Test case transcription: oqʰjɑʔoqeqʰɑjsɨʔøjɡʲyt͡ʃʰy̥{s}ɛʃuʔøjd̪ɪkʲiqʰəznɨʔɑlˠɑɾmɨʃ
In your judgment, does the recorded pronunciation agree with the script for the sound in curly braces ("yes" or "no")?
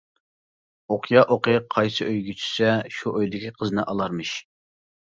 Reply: yes